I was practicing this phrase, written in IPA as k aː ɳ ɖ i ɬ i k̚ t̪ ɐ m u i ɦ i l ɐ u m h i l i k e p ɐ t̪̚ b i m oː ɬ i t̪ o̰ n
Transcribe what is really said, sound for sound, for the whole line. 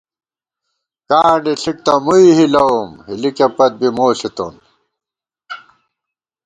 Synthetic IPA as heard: k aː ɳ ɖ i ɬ i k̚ t̪ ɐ m u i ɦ i l ɐ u m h i l i k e p ɐ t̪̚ b i m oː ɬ i t̪ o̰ n